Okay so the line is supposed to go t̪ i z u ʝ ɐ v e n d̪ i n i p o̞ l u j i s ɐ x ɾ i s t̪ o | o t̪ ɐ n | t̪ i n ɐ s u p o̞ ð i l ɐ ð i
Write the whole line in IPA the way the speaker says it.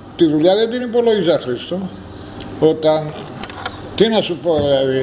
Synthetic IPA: t̪ i ð u ʎ ɐ ð e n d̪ i n i p o̞ l o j i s ɐ x ɾ i s t̪ o | o t̪ ɐ n | t̪ i n ɐ s u p o̞ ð i l ɐ ð i